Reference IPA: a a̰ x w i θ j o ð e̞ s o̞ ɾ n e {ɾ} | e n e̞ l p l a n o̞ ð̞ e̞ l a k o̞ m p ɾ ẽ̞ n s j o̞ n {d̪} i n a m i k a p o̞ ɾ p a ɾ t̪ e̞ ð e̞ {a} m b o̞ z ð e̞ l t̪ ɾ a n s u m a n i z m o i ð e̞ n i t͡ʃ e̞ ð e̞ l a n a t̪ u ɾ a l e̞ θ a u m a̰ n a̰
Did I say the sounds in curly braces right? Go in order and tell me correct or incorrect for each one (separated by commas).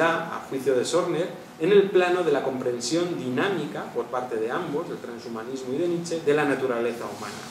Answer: correct, correct, correct